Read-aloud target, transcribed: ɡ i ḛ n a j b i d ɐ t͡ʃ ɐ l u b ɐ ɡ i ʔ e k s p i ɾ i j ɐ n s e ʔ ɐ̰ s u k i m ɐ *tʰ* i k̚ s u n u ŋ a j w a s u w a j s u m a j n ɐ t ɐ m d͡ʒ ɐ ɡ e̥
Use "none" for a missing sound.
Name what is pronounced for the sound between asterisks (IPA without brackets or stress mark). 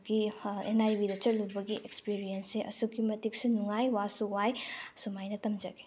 t